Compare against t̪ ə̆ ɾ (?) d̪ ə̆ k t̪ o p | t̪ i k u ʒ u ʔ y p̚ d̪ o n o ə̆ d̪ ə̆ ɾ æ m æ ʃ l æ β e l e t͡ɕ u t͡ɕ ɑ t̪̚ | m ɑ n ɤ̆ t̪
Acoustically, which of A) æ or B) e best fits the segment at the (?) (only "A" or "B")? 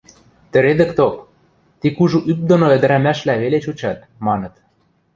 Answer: B